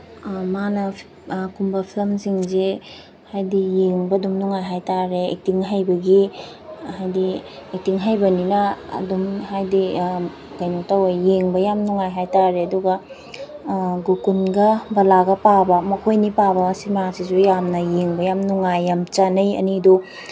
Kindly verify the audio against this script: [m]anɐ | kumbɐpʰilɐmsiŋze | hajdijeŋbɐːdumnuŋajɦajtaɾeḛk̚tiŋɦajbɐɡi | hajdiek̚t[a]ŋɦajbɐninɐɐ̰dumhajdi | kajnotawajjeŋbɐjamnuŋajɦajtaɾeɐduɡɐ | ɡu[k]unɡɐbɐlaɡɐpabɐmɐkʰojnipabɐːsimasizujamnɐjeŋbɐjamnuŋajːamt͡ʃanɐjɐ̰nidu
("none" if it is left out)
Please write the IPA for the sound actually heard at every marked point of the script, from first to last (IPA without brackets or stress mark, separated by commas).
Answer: m, i, k